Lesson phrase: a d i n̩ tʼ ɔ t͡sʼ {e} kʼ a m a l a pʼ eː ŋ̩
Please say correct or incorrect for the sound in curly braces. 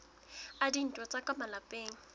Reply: incorrect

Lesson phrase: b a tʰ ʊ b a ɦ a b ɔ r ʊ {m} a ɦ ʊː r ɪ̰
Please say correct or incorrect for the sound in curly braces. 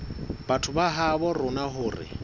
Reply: incorrect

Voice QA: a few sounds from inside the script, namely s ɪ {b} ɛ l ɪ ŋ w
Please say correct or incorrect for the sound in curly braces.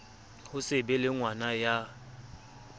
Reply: correct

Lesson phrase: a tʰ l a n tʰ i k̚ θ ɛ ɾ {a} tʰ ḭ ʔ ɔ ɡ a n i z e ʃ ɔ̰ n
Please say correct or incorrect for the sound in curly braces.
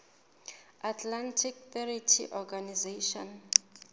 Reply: incorrect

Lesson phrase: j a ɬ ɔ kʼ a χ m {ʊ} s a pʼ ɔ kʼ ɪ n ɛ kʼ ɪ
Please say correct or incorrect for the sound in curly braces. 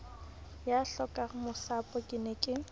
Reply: correct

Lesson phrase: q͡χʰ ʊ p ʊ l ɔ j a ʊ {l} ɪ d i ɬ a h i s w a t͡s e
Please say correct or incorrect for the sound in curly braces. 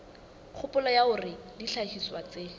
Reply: incorrect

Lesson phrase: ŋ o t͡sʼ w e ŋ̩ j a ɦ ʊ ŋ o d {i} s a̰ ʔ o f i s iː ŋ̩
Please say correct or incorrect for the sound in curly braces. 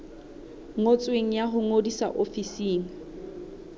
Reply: correct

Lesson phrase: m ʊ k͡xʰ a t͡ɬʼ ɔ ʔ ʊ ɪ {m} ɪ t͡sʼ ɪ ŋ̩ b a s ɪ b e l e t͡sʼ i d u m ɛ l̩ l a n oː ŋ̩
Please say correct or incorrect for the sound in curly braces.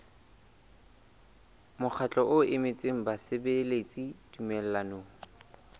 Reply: correct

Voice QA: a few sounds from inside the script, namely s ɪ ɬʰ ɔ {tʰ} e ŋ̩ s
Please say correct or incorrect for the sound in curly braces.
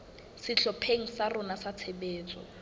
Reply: incorrect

